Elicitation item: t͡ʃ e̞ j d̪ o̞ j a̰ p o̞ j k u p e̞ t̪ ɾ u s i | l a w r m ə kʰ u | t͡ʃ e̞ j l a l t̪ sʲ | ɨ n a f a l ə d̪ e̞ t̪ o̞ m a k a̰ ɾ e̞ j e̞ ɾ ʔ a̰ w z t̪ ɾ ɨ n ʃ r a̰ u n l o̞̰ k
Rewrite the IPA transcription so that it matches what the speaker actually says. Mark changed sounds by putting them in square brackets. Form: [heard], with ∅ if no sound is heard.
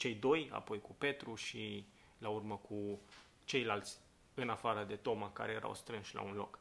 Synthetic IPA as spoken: t͡ʃ e̞ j d̪ o̞ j a̰ p o̞ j k u p e̞ t̪ ɾ u [ʃ] i | l a [u] r m ə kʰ u | t͡ʃ e̞ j l a l t̪ sʲ | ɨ n a f a [ɾ] ə d̪ e̞ t̪ o̞ m a k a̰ ɾ e̞ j e̞ ɾ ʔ a̰ w [s] t̪ ɾ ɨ n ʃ [l] a̰ u n l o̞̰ k